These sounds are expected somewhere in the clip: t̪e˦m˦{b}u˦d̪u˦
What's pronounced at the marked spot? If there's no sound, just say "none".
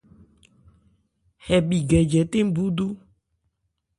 b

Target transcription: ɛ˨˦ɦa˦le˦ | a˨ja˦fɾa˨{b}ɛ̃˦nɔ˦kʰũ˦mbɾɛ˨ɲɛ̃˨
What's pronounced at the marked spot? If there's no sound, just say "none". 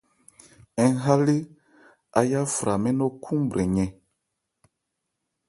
m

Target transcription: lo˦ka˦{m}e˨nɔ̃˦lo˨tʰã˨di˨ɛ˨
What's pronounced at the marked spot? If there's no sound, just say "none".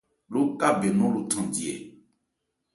b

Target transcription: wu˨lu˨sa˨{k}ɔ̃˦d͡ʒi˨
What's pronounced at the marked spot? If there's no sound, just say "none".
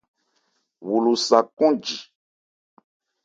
k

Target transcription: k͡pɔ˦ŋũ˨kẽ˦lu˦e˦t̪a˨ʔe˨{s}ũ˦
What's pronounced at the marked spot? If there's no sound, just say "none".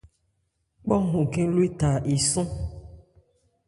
s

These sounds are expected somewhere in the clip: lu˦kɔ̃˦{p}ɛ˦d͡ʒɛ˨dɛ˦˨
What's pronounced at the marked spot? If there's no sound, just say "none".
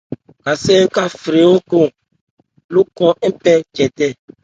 p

